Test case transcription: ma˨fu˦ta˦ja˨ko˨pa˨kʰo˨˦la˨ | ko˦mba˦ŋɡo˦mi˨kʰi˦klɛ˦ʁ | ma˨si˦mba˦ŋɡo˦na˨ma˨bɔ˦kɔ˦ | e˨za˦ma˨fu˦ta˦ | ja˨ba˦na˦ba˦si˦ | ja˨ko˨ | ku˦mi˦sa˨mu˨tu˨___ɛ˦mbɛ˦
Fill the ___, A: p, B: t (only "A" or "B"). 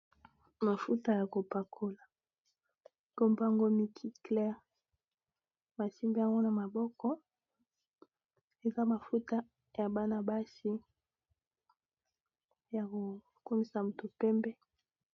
A